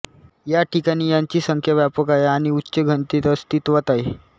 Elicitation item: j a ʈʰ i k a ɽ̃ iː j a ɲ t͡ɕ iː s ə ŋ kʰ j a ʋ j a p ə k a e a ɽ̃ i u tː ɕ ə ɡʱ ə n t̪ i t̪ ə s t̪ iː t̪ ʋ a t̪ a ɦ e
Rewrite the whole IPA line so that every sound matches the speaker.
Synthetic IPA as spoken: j a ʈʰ i k a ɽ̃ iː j a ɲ t͡ɕ iː s ə ŋ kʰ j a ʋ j a p ə k a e a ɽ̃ i u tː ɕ ə ɡʱ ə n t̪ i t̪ ə s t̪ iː t̪ ʋ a t̪ a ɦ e